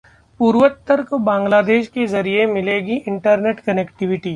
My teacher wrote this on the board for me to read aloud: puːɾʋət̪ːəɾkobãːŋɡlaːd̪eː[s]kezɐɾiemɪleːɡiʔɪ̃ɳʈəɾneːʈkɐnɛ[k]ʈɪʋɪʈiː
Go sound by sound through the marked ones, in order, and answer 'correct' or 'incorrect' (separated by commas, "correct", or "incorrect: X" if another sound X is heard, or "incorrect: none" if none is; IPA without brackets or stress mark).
incorrect: ʃ, correct